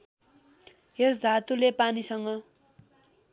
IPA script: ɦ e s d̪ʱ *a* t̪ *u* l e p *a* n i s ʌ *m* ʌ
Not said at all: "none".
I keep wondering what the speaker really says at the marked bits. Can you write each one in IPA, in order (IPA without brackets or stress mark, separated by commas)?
a, u, a, ŋ